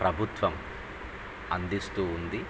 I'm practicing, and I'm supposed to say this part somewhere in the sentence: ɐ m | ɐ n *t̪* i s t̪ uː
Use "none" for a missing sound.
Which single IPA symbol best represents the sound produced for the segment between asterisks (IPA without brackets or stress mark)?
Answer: d̪